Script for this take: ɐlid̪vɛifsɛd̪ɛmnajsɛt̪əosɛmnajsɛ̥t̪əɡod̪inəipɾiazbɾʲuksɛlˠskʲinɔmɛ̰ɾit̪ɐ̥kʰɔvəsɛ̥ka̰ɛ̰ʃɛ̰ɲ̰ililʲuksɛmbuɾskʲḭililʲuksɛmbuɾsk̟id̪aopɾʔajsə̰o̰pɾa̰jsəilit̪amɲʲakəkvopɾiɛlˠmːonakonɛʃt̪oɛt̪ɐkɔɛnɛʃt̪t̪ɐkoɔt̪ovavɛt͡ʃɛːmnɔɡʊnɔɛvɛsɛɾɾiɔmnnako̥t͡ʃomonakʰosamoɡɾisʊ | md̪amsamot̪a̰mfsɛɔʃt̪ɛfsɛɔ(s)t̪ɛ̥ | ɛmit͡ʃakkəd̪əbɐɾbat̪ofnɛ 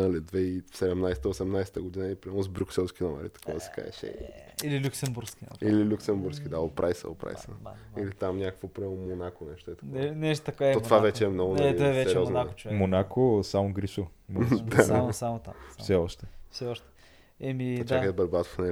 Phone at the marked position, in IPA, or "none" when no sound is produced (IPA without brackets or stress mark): ʃ